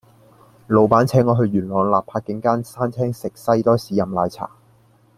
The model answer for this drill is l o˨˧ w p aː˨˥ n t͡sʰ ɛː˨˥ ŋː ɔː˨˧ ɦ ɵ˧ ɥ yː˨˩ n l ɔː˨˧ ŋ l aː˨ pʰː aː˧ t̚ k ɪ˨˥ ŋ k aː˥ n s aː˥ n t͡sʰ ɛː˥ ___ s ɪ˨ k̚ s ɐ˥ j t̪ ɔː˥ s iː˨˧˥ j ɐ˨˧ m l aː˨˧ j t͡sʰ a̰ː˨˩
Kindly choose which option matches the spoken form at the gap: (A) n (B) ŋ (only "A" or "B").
B